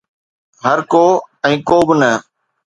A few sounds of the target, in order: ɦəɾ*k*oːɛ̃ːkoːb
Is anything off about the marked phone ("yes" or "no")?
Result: no